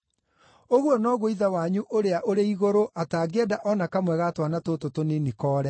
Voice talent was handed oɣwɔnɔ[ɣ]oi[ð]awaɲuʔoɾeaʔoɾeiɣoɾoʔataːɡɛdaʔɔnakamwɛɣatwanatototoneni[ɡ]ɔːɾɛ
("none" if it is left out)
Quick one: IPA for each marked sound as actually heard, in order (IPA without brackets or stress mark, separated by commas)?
ɣ, ð, k